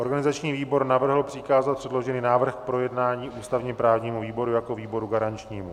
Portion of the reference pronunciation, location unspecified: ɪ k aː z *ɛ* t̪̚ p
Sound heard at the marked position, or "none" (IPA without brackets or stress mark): a